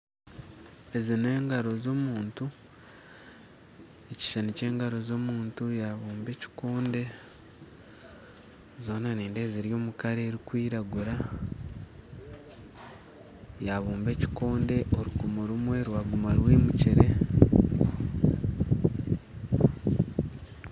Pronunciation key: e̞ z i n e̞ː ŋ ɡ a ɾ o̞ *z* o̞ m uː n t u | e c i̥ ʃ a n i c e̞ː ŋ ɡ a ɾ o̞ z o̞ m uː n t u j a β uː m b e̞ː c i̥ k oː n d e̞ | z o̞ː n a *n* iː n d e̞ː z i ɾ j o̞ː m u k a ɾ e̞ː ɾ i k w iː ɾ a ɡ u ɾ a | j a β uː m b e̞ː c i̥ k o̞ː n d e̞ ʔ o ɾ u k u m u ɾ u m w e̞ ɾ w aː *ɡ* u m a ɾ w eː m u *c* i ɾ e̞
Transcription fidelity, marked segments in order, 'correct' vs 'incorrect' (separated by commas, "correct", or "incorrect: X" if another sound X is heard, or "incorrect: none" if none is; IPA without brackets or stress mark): correct, correct, correct, correct